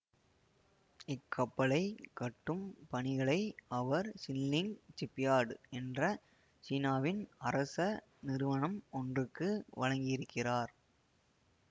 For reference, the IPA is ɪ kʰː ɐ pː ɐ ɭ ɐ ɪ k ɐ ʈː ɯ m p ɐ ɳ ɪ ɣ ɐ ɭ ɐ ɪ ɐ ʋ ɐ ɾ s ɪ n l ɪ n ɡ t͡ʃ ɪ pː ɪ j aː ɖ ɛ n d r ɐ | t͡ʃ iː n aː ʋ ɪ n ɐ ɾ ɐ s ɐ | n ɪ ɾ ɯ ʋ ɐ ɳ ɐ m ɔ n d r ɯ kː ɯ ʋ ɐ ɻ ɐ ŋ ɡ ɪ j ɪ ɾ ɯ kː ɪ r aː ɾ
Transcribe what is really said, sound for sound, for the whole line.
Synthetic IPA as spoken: ɪ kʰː ɐ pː ɐ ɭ ɐ ɪ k ɐ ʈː ɯ m p ɐ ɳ ɪ ɣ ɐ ɭ ɐ ɪ ɐ ʋ ɐ ɾ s ɪ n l ɪ ŋ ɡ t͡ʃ ɪ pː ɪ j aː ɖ ɛ n d r ɐ | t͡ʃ iː n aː ʋ ɪ n ɐ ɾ ɐ s ɐ | n ɪ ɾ ɯ ʋ ɐ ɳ ɐ m ɔ n d r ɯ kː ɯ ʋ ɐ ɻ ɐ ŋ ɡ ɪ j ɪ ɾ ɯ kː ɪ r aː ɾ